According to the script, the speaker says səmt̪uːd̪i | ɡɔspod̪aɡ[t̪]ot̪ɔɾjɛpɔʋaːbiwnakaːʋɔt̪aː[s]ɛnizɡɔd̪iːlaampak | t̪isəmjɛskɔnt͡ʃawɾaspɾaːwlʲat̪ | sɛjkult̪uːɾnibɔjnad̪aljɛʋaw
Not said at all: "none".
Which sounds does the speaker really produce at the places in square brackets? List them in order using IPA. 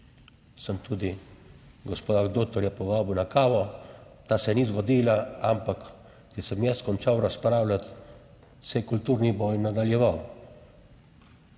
d̪, s

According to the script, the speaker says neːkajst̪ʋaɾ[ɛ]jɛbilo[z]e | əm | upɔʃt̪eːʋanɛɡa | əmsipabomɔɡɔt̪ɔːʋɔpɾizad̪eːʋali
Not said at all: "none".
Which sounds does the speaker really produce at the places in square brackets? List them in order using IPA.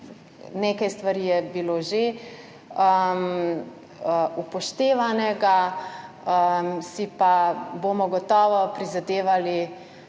i, ʒ

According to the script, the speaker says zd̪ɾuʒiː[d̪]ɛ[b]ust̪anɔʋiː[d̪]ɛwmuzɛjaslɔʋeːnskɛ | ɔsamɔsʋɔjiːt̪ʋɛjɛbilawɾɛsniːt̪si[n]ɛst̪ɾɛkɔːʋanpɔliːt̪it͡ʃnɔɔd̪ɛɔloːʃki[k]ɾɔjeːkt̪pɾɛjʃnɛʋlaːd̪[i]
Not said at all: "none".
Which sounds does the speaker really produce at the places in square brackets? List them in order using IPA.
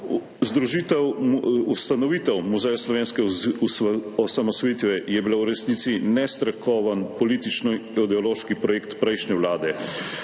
t̪, w, t̪, n, p, ɛ

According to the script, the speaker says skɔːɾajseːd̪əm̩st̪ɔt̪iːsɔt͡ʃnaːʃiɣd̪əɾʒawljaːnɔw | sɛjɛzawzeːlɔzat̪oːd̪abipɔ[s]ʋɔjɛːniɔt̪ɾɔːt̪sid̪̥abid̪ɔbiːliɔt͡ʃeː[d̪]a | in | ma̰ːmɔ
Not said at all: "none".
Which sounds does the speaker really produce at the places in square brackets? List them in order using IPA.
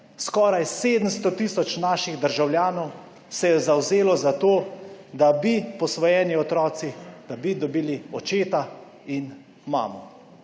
s, t̪

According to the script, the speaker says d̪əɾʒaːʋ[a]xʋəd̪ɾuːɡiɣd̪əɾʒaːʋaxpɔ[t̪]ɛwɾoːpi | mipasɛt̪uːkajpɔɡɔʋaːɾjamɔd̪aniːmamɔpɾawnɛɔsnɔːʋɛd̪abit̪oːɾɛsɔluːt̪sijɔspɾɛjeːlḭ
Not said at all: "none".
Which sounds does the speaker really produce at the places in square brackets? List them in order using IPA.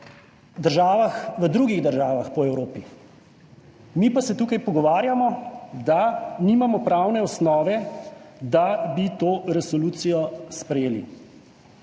a, none

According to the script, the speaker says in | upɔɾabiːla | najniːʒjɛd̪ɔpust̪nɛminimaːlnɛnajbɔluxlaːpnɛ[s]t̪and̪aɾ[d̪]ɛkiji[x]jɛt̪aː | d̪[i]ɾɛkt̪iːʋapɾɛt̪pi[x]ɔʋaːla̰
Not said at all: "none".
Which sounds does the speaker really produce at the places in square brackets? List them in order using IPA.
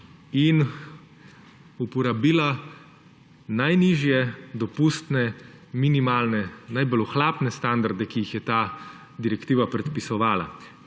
s, d̪, x, i, s

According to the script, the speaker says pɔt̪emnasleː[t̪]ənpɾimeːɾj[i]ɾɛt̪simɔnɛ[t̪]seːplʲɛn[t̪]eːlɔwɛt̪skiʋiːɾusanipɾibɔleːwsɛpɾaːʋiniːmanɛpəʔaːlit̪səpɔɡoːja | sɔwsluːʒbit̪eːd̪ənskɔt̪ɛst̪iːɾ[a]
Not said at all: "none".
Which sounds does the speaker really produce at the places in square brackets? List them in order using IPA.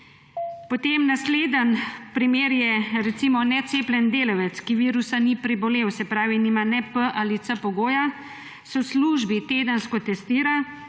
d̪, ɛ, t̪, d̪, a

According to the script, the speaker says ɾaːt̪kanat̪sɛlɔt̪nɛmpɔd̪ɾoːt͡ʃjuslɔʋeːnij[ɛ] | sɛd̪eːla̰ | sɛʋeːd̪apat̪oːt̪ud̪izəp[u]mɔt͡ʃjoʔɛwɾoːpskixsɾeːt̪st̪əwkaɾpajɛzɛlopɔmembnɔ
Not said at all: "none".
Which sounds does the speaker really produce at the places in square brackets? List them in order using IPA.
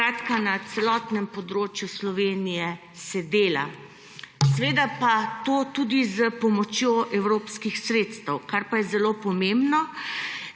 ɛ, ɔ

